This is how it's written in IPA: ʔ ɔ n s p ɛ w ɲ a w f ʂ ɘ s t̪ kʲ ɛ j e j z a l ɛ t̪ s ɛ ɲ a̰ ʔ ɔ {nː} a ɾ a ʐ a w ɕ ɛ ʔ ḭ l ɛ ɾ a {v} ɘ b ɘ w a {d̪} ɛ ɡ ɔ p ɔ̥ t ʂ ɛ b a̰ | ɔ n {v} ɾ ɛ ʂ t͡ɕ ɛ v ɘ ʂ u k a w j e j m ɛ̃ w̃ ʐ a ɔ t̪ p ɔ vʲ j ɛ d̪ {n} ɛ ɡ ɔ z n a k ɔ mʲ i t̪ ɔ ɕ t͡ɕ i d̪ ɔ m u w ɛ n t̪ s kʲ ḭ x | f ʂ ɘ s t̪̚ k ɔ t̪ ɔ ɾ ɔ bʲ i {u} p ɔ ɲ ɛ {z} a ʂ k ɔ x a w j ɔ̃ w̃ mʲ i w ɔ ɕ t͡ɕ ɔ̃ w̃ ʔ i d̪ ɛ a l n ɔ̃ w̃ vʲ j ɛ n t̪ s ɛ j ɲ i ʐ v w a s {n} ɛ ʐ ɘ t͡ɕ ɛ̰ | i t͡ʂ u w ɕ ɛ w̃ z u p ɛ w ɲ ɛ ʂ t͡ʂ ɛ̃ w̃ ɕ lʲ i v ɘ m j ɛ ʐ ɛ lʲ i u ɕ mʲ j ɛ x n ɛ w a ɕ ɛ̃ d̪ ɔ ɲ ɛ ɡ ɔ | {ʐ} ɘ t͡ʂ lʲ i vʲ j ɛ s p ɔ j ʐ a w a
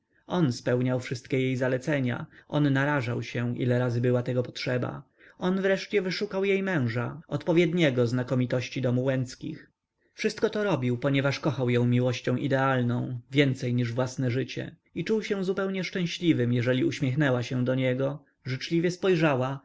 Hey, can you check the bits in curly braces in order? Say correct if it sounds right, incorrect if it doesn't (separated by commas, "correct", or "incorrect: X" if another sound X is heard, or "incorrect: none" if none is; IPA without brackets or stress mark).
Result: correct, incorrect: z, incorrect: t̪, correct, incorrect: ɲ, incorrect: w, incorrect: v, correct, correct